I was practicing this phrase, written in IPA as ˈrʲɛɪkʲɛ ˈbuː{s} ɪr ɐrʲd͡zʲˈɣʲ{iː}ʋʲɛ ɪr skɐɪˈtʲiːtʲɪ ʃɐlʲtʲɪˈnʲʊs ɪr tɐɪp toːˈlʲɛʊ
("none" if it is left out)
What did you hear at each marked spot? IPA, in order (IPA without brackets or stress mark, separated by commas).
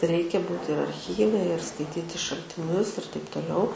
t, iː